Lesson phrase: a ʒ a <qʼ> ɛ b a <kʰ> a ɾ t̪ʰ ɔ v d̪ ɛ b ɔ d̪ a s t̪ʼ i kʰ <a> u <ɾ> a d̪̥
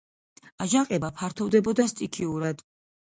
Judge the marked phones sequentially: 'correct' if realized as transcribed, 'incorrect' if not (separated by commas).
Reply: correct, incorrect, incorrect, correct